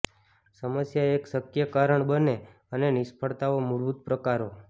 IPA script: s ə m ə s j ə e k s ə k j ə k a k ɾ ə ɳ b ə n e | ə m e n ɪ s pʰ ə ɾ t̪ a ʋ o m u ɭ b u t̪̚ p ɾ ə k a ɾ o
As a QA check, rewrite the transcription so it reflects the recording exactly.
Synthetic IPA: s ə m ə s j a e k s ə k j ə k a ɾ ə ɳ b ə n e | ə n e n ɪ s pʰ ə ɭ t̪ a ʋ o m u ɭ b u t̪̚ p ɾ ə k a ɾ o